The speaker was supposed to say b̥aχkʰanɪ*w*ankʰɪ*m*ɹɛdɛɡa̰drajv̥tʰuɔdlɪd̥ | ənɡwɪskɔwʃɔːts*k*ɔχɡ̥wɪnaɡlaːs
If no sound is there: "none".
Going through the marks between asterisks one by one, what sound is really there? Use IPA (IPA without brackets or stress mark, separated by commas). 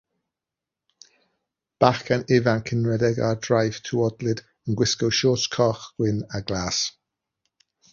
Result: v, n, kʰ